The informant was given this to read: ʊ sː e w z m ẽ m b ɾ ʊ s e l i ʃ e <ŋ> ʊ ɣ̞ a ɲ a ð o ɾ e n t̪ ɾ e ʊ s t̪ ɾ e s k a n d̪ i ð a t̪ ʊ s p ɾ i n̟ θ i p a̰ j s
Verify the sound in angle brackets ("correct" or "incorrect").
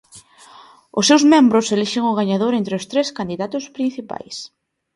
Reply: correct